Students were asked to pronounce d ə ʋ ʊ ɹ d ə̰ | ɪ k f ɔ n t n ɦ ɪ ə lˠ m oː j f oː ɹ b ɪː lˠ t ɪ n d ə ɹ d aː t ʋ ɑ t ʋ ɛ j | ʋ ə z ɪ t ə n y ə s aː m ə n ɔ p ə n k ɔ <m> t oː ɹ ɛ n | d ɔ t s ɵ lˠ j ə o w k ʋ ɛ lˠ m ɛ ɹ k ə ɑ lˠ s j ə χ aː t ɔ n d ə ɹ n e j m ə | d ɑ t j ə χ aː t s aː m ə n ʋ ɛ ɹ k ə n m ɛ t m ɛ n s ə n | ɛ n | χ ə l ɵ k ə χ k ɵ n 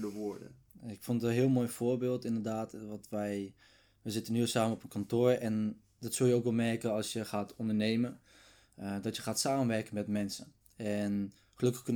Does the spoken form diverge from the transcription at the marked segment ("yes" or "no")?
yes